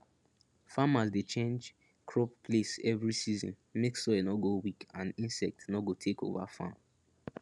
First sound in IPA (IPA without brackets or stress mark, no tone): f